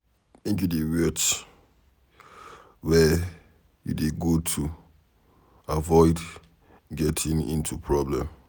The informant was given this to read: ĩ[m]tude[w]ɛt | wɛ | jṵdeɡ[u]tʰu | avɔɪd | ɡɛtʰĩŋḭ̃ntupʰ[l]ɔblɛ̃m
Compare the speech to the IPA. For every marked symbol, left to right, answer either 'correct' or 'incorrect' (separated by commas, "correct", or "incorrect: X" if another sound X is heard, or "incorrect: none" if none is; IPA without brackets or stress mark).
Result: incorrect: n, correct, incorrect: o, incorrect: ɹ